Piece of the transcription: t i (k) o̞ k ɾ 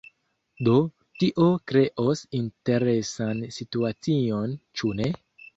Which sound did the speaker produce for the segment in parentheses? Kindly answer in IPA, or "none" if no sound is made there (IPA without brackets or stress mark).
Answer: ʔ